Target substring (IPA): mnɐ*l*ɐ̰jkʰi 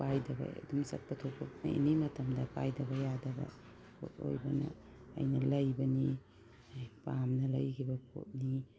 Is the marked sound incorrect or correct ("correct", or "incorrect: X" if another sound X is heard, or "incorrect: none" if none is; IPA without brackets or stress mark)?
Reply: correct